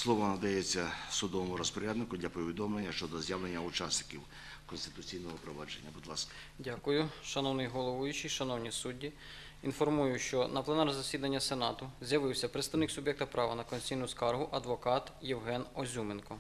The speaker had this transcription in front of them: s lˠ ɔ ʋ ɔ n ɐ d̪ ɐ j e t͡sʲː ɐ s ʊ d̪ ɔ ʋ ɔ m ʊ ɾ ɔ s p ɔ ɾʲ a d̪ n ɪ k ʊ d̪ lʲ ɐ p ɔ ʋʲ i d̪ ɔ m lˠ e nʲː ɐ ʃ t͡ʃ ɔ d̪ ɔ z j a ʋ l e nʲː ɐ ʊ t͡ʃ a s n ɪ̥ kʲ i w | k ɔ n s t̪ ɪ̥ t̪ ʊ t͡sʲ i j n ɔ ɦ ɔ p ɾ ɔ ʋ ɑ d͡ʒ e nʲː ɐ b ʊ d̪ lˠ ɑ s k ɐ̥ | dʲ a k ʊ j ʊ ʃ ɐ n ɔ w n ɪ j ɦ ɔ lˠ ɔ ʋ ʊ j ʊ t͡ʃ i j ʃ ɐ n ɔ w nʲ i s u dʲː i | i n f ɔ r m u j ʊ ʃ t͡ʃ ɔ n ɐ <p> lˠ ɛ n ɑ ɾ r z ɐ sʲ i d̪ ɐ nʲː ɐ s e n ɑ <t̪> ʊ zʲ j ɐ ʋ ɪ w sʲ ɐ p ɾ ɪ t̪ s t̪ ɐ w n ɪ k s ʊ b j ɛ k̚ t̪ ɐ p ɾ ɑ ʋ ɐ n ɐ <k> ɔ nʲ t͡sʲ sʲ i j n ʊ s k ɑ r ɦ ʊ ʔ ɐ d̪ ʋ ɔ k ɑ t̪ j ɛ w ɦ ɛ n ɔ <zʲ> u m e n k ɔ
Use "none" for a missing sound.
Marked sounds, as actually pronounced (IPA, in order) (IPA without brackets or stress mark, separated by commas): p, t̪, k, zʲ